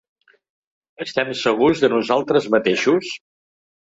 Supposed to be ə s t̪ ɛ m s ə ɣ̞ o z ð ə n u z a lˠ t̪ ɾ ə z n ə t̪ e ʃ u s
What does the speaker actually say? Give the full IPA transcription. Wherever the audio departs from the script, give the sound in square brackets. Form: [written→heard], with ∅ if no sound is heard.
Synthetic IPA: ə s t̪ ɛ m s ə ɣ̞ [o→u] z ð ə n u z a lˠ t̪ ɾ ə z [n→m] ə t̪ e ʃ u s